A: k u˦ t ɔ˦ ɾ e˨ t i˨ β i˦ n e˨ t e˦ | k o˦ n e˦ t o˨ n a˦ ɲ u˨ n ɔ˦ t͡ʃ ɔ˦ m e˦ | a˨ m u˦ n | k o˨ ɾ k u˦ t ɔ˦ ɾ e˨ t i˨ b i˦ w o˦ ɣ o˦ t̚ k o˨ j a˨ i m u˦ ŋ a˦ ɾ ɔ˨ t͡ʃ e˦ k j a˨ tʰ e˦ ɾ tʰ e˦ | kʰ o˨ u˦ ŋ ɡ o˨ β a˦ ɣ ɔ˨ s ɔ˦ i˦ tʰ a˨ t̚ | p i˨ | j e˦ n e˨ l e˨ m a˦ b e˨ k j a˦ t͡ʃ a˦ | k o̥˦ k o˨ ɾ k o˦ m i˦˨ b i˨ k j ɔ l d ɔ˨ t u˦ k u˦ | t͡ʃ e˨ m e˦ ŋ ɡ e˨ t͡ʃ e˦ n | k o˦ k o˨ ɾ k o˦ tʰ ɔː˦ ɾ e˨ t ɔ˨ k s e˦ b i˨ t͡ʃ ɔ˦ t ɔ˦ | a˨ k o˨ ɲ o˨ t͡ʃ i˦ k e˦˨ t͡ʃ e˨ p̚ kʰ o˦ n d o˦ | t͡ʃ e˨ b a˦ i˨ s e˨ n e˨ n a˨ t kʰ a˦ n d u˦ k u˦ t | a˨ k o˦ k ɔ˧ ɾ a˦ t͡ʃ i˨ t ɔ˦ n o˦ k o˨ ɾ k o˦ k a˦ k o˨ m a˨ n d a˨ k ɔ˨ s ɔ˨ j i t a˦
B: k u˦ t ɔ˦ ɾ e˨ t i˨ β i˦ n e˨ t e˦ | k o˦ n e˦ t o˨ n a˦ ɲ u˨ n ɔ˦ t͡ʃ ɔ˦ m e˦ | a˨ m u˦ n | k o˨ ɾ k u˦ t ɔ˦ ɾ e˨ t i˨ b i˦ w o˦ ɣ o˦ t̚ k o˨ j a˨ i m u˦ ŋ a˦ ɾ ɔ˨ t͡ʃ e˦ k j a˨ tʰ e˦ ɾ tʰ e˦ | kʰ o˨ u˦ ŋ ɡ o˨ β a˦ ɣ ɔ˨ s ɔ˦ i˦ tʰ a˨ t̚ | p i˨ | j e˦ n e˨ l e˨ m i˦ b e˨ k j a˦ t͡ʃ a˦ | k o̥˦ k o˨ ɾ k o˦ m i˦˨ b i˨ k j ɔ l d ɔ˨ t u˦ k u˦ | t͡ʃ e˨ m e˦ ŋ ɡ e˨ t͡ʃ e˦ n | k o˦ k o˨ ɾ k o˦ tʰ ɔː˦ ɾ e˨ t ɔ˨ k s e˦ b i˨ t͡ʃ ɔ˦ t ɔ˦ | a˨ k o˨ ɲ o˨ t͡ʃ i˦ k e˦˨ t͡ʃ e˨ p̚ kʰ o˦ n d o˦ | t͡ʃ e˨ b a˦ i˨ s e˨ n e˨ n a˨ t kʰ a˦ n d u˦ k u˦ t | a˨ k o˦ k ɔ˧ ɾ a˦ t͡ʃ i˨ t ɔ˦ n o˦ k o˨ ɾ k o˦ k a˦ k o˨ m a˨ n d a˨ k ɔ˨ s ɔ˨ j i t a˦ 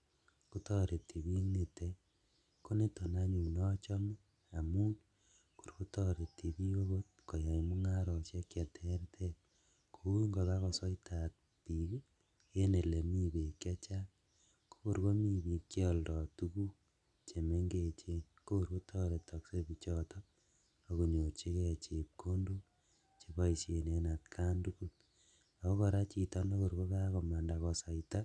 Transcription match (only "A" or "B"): B